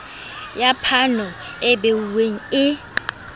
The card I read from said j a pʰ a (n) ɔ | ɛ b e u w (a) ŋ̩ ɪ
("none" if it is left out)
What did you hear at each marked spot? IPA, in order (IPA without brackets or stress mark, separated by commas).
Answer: n, e